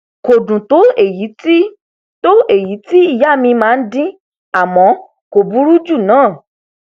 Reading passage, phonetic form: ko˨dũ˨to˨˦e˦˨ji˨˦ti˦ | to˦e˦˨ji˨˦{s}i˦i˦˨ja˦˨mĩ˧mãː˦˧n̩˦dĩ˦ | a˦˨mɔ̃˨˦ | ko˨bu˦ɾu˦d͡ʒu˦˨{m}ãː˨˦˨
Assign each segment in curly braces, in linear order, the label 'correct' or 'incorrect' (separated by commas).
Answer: incorrect, incorrect